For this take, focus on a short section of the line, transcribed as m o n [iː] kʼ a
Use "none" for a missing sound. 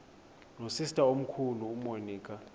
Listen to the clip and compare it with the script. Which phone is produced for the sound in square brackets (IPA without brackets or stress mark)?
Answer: iː